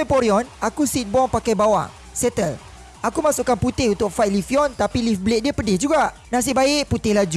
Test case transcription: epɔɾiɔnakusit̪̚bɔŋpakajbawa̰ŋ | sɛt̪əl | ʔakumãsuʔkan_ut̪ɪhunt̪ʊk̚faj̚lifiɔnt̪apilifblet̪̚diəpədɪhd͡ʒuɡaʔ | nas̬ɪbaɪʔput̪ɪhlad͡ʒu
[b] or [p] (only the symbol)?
p